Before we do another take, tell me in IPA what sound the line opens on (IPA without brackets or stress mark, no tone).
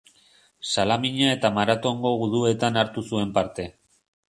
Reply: s